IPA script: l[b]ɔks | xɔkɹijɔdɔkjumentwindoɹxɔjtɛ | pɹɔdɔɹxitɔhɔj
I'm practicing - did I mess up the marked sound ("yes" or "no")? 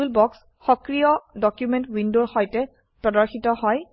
no